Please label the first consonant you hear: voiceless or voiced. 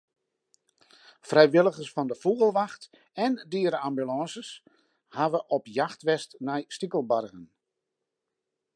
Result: voiceless